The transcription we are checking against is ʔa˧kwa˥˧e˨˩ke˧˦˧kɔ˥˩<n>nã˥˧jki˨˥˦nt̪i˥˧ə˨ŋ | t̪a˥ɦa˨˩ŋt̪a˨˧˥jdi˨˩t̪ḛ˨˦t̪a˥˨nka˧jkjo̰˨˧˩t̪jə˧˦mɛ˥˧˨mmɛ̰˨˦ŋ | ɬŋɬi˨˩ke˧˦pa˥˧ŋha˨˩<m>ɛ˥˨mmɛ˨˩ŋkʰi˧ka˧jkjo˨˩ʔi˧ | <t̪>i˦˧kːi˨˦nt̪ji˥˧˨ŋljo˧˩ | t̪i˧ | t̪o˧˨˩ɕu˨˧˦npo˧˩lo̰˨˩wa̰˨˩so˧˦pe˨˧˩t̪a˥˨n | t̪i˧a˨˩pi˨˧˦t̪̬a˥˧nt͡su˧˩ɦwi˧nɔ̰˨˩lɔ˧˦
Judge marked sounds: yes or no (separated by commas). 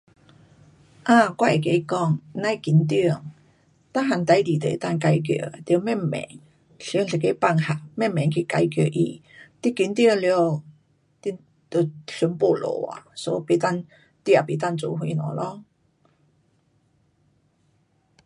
no, yes, yes